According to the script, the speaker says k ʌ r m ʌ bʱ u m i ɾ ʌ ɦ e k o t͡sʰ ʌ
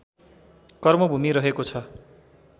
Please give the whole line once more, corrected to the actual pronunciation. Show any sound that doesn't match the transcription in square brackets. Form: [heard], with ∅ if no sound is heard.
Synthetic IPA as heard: k ʌ r m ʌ bʱ u m i ɾ ʌ ɦ e k o t͡sʰ ʌ